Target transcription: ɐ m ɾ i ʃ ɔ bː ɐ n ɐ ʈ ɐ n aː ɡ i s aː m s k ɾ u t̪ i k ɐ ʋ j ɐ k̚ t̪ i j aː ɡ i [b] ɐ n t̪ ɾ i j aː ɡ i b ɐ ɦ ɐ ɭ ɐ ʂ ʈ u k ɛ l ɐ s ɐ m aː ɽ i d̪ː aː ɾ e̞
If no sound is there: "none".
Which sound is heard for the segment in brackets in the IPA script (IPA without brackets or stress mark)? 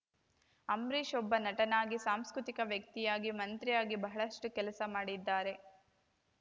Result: m